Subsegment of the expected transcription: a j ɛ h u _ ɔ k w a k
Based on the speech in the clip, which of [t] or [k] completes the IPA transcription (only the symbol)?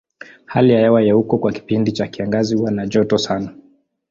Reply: k